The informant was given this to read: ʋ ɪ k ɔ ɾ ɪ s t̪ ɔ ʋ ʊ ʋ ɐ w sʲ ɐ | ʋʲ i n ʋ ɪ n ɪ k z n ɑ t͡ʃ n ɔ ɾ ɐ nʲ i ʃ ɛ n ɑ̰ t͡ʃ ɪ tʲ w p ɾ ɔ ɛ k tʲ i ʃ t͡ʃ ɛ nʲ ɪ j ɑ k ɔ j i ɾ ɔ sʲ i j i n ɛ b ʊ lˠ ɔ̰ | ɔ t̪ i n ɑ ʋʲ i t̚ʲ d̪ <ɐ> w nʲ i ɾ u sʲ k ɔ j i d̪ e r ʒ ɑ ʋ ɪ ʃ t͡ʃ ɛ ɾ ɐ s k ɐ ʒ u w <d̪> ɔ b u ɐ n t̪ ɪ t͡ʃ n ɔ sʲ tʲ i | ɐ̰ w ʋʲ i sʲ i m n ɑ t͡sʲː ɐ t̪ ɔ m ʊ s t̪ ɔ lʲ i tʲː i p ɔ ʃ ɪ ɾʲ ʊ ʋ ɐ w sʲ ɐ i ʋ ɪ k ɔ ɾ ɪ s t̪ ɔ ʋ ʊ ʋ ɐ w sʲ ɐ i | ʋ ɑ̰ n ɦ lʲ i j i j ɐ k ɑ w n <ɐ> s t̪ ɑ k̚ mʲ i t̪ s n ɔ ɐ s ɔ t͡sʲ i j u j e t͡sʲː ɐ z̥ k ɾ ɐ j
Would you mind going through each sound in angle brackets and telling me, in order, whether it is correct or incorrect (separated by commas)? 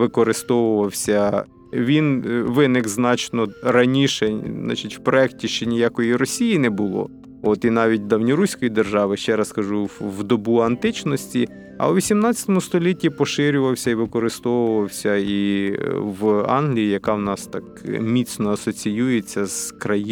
correct, correct, incorrect